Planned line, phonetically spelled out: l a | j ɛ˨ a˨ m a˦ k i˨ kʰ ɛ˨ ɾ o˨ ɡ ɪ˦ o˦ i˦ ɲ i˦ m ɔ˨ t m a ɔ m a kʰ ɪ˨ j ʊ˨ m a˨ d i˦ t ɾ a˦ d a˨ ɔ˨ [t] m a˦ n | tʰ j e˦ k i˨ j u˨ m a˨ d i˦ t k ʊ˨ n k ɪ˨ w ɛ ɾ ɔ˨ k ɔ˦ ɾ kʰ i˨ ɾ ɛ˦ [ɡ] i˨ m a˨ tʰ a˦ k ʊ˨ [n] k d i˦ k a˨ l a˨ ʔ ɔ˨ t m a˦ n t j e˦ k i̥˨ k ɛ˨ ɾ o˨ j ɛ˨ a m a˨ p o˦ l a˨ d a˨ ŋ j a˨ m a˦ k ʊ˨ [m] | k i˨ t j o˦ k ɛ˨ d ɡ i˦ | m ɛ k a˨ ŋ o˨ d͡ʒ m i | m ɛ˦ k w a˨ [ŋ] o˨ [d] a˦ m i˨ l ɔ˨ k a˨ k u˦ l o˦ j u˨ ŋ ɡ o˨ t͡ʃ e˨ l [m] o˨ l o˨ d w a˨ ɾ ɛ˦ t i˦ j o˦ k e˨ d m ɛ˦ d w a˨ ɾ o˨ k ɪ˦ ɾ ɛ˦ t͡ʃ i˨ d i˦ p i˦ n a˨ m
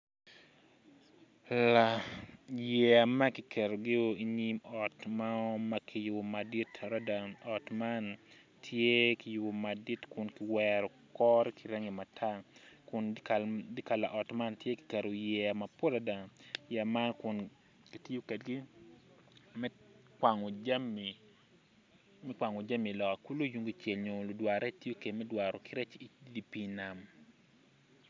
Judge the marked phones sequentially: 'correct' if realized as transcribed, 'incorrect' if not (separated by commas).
correct, incorrect, correct, incorrect, correct, incorrect, incorrect